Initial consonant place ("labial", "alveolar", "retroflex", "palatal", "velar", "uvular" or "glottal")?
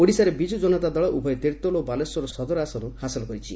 retroflex